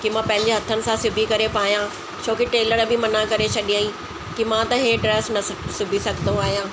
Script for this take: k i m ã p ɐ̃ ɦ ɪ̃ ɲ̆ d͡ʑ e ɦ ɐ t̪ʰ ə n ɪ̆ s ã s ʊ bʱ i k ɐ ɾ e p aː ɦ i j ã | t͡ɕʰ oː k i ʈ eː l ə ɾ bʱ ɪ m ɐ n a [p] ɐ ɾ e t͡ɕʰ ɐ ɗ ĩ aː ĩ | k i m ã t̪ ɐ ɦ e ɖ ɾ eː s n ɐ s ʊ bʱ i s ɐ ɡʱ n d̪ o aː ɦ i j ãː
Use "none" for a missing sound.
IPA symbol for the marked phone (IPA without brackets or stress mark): k